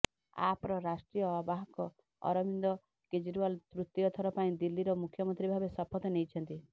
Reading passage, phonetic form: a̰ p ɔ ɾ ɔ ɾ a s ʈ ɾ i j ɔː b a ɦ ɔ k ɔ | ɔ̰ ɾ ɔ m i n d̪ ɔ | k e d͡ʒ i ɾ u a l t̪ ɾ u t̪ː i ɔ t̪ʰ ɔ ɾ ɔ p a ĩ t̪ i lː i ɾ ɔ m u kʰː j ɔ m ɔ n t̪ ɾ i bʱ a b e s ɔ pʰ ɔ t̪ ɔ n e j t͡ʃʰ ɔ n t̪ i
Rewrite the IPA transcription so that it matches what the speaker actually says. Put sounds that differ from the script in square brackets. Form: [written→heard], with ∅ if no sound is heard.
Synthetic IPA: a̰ p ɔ ɾ ɔ ɾ a s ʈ ɾ i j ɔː b a ɦ ɔ k ɔ | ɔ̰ ɾ ɔ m i n d̪ ɔ | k e d͡ʒ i ɾ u a l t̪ ɾ u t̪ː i ɔ t̪ʰ ɔ ɾ ɔ p a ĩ [t̪→d̪] i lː i ɾ ɔ m u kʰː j ɔ m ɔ n t̪ ɾ i bʱ a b e s ɔ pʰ ɔ t̪ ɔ n e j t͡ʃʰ ɔ n t̪ i